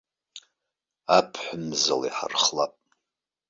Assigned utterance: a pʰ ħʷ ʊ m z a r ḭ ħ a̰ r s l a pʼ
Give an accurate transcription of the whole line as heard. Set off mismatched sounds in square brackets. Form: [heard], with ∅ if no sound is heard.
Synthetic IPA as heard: a pʰ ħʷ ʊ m z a [l] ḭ ħ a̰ r [χ] l a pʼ